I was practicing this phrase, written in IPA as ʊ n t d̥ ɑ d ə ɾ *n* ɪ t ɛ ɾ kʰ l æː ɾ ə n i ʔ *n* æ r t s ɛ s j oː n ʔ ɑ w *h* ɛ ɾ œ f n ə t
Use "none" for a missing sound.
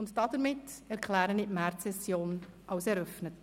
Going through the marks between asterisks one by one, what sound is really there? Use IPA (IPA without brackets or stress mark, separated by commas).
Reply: m, m, s